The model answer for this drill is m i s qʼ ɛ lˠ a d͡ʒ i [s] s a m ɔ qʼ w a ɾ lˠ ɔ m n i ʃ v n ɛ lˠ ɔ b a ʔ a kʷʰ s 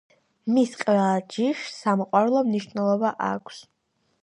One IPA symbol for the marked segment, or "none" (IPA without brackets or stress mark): ʃ